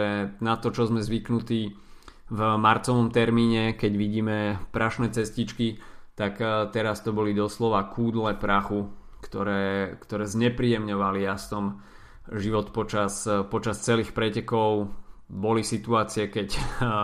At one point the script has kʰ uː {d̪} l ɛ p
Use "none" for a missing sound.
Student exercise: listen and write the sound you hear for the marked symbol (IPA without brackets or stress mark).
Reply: d̪